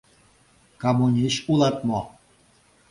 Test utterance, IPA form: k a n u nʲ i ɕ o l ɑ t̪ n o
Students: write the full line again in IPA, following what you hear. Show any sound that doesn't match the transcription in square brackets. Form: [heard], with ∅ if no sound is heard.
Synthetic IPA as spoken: k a [m] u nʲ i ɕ [u] l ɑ t̪ [m] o